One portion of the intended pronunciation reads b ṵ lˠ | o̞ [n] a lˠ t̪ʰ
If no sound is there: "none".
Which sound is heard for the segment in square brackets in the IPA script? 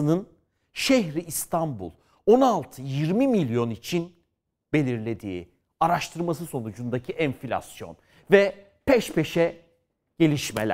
n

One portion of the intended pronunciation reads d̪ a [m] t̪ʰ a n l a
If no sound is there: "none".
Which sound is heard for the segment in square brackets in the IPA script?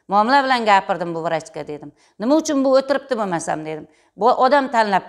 m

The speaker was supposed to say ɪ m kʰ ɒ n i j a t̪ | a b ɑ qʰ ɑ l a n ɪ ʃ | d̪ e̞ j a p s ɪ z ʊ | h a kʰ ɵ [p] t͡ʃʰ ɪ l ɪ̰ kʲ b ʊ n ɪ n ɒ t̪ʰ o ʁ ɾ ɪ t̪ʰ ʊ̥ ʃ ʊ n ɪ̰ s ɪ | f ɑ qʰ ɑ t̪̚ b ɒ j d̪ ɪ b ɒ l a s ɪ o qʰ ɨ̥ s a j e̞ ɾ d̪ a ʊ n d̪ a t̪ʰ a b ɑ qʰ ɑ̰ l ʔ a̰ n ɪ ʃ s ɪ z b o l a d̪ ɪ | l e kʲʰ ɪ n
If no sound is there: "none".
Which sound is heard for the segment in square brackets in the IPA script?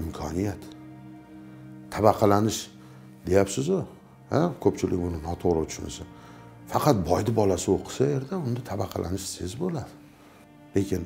p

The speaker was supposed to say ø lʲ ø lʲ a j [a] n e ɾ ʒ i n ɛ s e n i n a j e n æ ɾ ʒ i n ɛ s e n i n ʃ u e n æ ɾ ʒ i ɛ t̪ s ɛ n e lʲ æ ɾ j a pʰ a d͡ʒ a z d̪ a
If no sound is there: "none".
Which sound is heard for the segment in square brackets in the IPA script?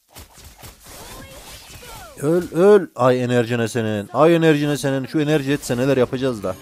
e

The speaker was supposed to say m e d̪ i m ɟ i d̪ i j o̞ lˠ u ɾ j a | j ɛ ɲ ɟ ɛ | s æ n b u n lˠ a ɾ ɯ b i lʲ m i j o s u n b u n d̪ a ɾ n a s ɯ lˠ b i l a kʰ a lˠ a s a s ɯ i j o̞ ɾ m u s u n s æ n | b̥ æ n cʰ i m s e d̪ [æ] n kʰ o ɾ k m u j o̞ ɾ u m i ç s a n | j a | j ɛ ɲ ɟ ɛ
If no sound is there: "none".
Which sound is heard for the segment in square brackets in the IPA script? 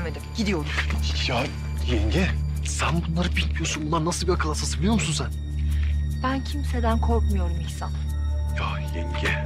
æ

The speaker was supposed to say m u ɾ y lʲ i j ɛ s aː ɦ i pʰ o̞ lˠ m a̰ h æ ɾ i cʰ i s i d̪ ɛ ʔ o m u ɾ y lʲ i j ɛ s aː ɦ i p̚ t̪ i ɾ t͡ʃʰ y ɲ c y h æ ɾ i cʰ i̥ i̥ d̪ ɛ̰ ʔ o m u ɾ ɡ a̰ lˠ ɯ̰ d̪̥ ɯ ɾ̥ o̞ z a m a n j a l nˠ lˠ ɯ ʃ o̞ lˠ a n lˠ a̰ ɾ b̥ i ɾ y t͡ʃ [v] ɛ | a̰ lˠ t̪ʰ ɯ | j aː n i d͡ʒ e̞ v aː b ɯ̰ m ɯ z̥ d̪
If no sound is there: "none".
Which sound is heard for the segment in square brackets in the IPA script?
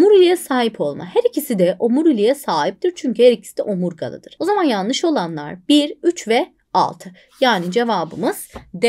v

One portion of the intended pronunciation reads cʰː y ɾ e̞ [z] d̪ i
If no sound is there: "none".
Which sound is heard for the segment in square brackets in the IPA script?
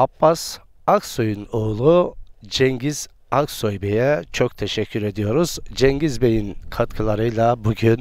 none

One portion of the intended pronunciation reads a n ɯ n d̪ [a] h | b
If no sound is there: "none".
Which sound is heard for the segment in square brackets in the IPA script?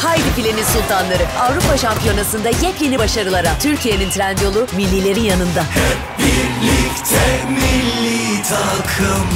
a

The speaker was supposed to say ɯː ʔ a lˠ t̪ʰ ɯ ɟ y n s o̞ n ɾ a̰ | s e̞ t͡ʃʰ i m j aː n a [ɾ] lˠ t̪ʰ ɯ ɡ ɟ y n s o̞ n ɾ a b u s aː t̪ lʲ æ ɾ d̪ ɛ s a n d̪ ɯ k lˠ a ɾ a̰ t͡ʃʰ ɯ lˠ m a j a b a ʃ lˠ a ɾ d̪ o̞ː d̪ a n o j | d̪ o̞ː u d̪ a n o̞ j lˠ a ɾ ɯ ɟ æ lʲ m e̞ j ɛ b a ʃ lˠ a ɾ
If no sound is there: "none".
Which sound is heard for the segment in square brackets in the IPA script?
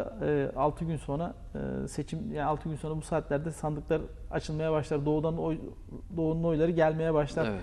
none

